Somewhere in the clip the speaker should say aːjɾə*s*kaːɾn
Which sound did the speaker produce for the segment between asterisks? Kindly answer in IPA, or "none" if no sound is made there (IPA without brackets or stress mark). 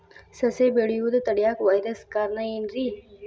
s